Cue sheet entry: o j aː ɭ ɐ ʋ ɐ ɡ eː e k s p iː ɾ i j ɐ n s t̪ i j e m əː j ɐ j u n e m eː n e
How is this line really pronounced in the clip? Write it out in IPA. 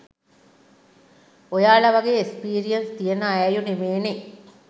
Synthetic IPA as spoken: o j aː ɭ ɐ ʋ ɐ ɡ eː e k s p iː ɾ i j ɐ n s t̪ i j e n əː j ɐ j u n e m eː n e